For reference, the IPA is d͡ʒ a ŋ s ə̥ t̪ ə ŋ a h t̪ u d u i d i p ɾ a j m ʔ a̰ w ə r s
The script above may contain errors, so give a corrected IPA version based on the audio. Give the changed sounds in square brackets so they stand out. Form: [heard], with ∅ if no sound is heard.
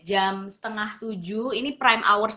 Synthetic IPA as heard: d͡ʒ a [m] s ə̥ t̪ ə ŋ a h t̪ u [d͡ʒ] u i [n] i p ɾ a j m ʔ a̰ w ə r s